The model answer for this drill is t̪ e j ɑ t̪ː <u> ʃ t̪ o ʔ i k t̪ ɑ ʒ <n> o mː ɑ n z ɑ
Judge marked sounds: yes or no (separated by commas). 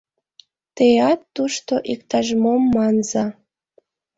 yes, no